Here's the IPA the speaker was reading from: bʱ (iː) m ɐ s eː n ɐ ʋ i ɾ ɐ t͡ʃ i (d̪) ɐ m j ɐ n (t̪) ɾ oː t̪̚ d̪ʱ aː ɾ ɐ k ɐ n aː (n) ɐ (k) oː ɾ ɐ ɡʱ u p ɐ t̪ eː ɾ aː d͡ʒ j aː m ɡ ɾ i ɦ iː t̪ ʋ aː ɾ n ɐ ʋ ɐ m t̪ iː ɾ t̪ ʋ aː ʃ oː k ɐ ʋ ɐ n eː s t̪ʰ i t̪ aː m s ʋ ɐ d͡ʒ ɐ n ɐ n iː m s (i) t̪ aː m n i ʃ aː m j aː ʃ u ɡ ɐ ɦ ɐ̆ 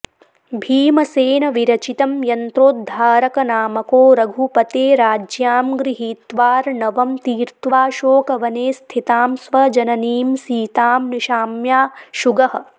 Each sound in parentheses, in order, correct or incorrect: correct, incorrect, correct, incorrect, correct, incorrect

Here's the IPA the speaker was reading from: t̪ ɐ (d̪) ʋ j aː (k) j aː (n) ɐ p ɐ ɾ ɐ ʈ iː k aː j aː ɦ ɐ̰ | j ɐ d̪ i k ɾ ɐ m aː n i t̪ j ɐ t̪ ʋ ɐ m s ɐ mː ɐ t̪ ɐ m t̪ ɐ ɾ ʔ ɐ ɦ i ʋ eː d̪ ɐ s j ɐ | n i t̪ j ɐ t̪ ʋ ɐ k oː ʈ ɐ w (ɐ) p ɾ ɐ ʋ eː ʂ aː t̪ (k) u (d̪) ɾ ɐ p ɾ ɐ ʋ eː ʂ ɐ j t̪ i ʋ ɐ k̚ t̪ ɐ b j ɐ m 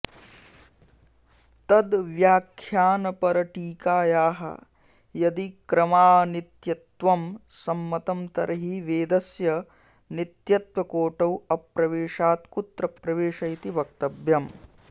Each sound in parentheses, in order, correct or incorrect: correct, incorrect, correct, correct, correct, incorrect

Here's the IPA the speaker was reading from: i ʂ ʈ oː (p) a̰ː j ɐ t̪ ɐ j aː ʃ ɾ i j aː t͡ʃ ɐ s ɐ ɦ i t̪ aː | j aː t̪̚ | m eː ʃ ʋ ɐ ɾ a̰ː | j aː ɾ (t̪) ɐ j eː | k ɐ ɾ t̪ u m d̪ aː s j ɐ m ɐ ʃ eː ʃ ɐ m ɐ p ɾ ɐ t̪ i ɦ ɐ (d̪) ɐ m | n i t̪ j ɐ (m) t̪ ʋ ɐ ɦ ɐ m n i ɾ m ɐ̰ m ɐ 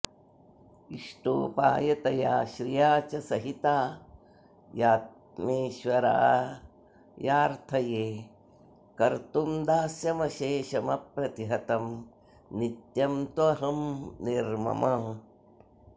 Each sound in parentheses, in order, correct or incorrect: correct, incorrect, incorrect, correct

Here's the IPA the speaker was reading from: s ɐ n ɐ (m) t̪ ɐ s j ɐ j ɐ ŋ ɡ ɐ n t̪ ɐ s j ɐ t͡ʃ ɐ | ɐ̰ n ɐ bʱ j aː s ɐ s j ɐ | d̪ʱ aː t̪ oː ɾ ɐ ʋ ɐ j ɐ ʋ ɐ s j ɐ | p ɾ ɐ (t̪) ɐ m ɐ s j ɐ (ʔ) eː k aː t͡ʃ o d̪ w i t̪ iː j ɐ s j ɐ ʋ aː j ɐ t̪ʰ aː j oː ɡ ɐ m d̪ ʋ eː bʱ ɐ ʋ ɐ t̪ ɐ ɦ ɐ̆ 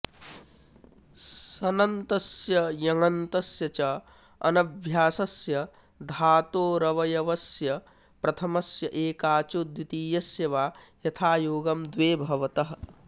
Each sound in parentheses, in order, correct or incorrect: incorrect, incorrect, correct

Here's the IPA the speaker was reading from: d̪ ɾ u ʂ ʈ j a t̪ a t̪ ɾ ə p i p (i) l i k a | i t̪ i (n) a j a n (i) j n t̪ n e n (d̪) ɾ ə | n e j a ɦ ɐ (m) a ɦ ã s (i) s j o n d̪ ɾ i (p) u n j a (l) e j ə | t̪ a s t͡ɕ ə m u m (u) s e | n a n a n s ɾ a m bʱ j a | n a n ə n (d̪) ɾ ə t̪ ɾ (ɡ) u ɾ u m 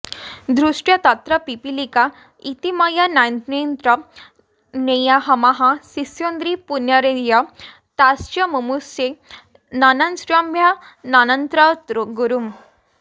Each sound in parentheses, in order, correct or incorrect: correct, incorrect, incorrect, incorrect, correct, correct, correct, incorrect, correct, incorrect, correct

